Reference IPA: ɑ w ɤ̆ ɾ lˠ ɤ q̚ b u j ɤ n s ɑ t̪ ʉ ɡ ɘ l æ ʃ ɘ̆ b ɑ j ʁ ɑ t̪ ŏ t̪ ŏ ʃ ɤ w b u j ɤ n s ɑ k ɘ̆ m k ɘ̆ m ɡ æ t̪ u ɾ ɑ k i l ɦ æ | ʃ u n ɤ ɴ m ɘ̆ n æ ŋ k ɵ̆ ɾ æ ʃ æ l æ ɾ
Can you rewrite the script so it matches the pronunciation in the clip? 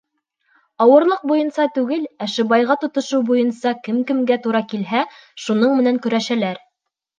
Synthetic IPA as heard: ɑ w ɤ̆ ɾ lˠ ɤ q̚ b u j ɤ n s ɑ t̪ ʉ ɡ ɘ l æ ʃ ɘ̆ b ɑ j ʁ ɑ t̪ ŏ t̪ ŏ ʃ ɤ w b u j ɤ n s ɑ k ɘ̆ m k ɘ̆ m ɡ æ t̪ u ɾ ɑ k i l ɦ æ | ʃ u n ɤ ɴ m ɘ̆ n æ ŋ k ɵ̆ ɾ æ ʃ æ l æ ɾ